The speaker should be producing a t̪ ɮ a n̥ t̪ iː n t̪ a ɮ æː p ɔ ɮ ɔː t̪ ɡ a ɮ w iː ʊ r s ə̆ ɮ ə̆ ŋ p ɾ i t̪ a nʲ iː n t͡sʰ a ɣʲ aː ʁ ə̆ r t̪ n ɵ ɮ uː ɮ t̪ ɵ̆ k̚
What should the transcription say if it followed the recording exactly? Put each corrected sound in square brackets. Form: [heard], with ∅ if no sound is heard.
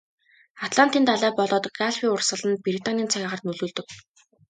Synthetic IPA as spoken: a t̪ ɮ a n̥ t̪ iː n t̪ a ɮ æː p ɔ ɮ ɔː t̪ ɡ a ɮ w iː ʊ r s ə̆ ɮ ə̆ [n] p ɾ i t̪ a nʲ iː n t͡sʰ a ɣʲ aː ʁ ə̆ r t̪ n ɵ ɮ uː ɮ t̪ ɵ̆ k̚